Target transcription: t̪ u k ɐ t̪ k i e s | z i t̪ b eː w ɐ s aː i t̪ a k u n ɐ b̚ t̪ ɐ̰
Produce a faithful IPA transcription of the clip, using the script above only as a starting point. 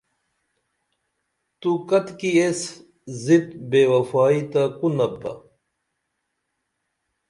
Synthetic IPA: t̪ u k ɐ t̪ k i e s | z i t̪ b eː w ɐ f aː i t̪ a k u n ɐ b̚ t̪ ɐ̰